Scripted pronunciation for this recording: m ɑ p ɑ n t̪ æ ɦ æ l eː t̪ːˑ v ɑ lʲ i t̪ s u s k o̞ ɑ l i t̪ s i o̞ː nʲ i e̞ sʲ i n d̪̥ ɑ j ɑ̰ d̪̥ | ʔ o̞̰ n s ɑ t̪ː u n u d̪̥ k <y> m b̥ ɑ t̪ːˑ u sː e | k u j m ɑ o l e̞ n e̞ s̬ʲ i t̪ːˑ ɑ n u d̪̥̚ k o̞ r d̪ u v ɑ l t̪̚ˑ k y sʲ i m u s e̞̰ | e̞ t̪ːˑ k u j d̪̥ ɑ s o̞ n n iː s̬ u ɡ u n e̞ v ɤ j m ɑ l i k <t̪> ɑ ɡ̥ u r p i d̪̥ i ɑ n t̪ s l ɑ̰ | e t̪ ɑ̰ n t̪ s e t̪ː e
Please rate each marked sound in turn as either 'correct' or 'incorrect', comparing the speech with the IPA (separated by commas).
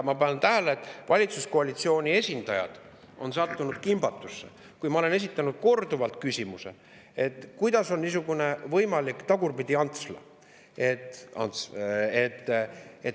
incorrect, correct